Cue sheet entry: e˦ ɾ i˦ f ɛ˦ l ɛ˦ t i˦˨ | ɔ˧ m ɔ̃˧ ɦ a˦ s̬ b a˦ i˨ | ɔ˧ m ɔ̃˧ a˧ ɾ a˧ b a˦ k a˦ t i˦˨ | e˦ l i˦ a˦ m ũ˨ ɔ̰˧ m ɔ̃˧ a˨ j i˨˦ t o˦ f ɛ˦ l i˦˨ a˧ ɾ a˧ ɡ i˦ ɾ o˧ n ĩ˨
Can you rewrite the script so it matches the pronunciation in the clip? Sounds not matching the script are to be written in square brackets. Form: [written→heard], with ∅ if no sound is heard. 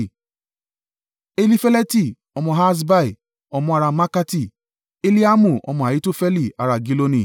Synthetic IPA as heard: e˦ [ɾ→l] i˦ f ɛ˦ l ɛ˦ t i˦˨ | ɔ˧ m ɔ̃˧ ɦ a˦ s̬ b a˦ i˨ | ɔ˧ m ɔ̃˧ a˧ ɾ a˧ [b→m] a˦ k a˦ t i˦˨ | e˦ l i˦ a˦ m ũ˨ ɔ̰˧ m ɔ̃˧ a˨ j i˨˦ t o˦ f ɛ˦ l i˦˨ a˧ ɾ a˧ ɡ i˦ [ɾ→l] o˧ n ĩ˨